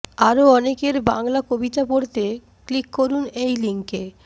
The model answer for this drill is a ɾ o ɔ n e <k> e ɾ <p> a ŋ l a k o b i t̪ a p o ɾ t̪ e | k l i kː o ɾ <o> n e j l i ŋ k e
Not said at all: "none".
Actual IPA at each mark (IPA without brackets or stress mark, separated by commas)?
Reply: k, b, u